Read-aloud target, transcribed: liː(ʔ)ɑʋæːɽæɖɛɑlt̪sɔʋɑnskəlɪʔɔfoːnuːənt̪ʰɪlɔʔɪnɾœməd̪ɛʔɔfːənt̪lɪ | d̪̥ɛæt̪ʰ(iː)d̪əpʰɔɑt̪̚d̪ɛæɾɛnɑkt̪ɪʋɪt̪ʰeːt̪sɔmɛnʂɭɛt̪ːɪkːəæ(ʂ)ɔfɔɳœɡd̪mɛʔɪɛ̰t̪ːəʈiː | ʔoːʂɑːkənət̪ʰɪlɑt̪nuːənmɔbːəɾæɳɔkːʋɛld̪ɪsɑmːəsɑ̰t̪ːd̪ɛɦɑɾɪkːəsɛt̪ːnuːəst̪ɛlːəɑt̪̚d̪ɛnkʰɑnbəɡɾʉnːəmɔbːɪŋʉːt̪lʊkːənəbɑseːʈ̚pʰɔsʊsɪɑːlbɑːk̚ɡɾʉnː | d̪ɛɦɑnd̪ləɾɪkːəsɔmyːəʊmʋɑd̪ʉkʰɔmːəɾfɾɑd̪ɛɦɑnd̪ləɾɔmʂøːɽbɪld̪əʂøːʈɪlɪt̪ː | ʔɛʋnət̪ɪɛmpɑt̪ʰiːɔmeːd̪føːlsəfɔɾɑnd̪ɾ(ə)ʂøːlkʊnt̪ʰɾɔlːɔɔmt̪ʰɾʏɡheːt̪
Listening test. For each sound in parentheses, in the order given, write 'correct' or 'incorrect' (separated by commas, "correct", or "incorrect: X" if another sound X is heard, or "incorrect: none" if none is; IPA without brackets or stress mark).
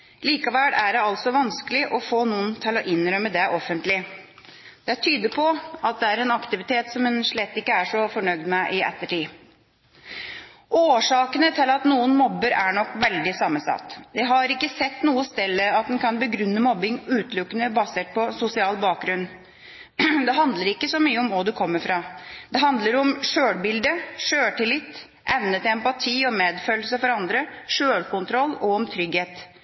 incorrect: k, incorrect: yː, correct, correct